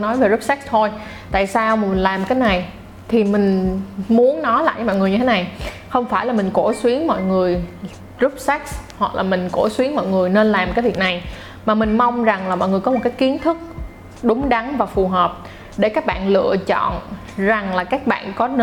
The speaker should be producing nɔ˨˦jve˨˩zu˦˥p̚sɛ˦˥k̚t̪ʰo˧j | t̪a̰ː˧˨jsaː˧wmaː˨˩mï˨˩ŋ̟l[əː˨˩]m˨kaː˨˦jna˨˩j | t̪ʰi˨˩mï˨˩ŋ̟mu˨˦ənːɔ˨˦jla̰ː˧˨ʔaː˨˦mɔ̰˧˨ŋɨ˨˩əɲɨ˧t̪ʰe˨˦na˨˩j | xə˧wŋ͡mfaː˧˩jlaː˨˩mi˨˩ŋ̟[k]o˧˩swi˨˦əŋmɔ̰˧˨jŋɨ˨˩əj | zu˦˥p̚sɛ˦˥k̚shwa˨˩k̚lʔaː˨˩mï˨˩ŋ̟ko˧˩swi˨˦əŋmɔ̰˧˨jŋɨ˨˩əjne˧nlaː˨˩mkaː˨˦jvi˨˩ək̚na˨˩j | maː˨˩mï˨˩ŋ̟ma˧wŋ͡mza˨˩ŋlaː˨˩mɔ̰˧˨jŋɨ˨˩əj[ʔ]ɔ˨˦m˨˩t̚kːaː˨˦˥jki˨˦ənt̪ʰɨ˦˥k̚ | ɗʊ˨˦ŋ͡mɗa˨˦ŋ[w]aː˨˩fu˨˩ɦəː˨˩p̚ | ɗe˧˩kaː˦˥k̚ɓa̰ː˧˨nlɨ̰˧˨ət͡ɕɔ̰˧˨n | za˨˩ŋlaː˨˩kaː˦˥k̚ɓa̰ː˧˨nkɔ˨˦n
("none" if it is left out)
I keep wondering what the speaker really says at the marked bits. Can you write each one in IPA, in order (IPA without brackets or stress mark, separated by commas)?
aː˨˩, k, k, v